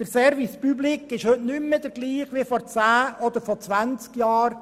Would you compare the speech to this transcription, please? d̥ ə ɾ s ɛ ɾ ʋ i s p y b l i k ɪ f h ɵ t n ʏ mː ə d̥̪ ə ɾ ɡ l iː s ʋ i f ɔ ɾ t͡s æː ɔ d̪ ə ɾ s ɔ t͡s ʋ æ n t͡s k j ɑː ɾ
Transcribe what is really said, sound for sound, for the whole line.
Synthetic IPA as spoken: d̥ ə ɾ s ɛ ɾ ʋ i s p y b l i k ɪ ʃ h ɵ t n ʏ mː ə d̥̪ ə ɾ ɡ l iː χ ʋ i f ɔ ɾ t͡s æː ɔ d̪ ə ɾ f ɔ t͡s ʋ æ n t͡s k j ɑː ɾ